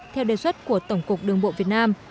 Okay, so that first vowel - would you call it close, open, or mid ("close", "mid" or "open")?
mid